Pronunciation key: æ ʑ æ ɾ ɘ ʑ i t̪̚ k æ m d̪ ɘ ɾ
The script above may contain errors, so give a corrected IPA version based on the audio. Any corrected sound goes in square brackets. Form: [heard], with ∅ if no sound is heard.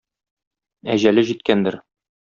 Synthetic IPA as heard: æ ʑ æ [l] ɘ ʑ i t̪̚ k æ [n] d̪ ɘ ɾ